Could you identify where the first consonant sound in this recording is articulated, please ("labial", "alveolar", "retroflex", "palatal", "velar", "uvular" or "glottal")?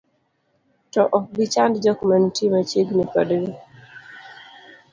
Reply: alveolar